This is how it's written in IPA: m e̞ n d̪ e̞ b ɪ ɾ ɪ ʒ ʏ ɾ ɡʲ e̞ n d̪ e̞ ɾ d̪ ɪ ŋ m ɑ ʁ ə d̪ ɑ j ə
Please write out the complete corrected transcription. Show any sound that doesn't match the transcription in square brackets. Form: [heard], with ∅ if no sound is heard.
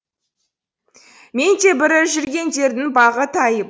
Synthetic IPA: m e̞ n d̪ e̞ b ɪ ɾ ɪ ʒ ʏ ɾ ɡʲ e̞ n d̪ e̞ ɾ d̪ ɪ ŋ [b] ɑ ʁ ə [t̪] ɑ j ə